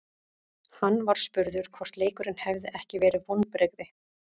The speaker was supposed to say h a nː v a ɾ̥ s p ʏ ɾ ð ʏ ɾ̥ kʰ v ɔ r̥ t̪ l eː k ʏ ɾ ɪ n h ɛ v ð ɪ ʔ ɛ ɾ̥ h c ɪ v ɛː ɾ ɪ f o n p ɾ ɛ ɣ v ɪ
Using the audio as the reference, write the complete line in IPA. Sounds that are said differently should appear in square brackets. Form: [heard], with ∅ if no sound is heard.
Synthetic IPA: h a nː v a ɾ̥ s p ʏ ɾ ð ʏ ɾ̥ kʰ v ɔ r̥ t̪ l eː k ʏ ɾ ɪ n h ɛ v ð ɪ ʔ ɛ [∅] h c ɪ v ɛː ɾ ɪ [v] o n p ɾ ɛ ɣ [ð] ɪ